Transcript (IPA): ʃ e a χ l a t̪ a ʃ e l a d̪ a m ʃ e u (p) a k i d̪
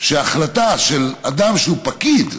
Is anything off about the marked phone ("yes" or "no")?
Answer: no